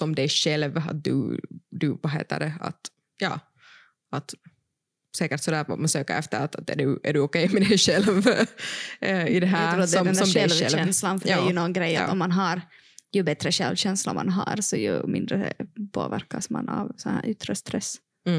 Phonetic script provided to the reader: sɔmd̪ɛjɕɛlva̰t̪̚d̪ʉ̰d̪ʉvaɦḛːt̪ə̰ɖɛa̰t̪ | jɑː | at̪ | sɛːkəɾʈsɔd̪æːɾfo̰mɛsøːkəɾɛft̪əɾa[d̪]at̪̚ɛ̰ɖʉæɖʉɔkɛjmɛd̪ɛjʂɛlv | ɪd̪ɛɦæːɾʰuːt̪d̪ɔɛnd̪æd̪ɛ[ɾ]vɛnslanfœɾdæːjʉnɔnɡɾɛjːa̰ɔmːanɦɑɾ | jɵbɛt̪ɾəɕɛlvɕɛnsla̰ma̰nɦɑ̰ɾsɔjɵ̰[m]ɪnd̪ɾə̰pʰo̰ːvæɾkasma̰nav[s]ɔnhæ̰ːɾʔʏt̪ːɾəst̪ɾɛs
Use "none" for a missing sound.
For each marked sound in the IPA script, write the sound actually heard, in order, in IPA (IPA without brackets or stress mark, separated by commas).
t̪, l, m, s